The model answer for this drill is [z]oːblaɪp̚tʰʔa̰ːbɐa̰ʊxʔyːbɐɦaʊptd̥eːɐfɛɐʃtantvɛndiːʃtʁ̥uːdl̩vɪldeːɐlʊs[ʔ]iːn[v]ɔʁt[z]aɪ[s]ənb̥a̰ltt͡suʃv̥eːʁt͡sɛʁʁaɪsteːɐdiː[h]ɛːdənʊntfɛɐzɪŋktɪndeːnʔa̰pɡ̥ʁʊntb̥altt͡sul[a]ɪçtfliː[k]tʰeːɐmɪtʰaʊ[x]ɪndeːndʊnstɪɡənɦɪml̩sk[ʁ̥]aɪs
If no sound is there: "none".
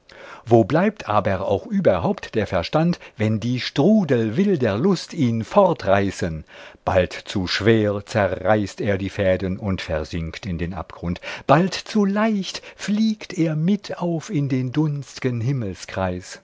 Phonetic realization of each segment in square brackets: v, t, f, ʁ, s, f, a, k, f, ʁ̥

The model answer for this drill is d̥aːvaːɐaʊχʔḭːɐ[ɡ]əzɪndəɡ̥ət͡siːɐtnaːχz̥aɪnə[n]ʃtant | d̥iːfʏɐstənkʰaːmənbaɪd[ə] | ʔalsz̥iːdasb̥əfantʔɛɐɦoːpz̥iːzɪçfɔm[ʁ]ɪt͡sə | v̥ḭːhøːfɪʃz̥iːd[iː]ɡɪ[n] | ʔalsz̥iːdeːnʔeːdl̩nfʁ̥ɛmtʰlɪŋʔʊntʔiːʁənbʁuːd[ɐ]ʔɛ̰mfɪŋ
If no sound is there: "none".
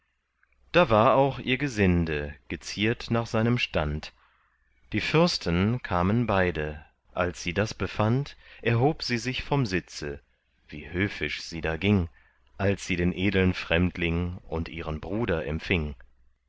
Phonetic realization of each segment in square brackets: ɡ, m, ə, z, aː, ŋ, ɐ

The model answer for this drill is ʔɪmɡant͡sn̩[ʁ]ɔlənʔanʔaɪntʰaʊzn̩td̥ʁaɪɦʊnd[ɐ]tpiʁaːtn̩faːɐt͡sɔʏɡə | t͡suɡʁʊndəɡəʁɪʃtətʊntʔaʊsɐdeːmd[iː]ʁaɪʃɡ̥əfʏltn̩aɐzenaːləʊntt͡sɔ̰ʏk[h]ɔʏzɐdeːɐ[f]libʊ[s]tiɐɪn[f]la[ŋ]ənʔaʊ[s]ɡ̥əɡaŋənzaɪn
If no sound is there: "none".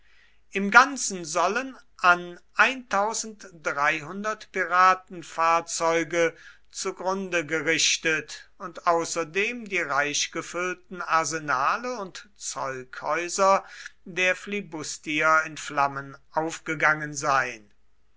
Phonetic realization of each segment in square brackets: z, ɐ, iː, h, f, s, f, m, f

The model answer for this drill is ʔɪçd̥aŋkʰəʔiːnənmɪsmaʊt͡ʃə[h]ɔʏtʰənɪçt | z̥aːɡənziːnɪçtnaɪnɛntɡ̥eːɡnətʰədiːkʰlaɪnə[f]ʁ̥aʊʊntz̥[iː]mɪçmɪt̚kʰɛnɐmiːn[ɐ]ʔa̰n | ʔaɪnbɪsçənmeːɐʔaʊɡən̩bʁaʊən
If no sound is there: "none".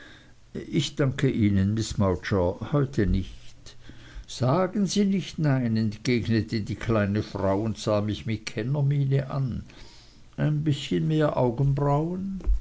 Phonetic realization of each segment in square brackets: h, f, aː, ə

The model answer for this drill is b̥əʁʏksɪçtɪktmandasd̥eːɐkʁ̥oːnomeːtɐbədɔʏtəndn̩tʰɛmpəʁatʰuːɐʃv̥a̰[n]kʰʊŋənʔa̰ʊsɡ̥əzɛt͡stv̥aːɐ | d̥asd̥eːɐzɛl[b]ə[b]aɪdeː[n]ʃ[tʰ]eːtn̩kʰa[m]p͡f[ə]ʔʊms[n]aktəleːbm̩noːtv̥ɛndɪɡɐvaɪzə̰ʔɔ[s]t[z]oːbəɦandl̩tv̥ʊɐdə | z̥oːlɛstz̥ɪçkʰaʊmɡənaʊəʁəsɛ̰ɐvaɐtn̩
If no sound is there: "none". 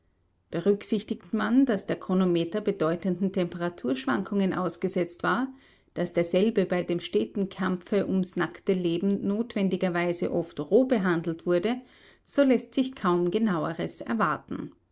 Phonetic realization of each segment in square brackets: ŋ, b, b, m, t, m, ə, n, f, ʁ

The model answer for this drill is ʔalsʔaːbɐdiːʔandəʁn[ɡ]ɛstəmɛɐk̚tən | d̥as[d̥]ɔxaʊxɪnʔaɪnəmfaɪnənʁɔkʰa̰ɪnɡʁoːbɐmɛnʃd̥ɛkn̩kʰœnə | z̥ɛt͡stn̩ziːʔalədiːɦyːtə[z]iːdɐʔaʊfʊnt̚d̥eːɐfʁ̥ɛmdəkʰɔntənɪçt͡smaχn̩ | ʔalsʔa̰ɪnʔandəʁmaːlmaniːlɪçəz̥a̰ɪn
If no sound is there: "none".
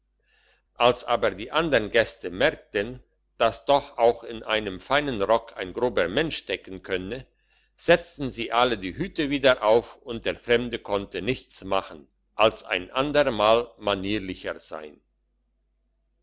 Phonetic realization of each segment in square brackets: ɡ, d̥, v

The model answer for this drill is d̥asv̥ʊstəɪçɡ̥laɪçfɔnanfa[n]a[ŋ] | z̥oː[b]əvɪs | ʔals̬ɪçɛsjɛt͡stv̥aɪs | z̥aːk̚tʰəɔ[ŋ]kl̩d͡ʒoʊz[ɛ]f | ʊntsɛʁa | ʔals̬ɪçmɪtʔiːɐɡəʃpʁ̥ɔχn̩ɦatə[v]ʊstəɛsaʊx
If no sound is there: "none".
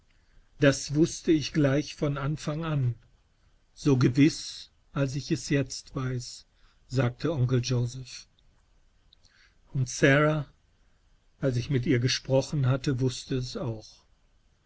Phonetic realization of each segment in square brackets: ŋ, n, ɡ, ŋ, ɛ, v

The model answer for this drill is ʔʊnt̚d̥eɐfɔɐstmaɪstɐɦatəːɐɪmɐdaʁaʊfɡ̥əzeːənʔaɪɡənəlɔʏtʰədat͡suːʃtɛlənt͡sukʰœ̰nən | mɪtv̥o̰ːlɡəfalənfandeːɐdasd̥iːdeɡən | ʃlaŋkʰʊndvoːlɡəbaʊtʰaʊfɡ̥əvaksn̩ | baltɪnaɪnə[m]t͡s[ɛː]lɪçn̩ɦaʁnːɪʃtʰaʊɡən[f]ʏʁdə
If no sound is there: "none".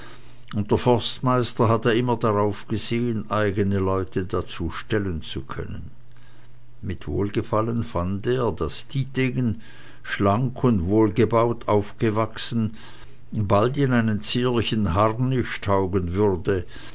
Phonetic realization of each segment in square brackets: n, iː, v

